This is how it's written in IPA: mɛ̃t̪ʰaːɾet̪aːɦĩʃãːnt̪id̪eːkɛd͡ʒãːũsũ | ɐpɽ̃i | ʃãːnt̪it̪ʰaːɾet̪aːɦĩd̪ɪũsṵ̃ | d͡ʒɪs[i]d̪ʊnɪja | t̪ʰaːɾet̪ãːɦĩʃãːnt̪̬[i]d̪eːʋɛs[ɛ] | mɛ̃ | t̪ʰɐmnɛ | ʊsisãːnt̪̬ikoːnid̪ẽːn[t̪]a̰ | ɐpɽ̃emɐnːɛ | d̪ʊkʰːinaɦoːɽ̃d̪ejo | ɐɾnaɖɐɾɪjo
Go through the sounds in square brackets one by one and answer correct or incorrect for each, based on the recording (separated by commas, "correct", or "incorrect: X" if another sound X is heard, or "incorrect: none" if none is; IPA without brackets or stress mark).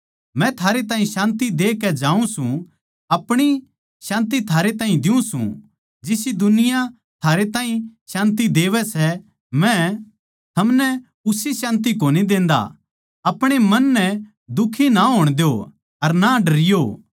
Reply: correct, correct, correct, incorrect: d̪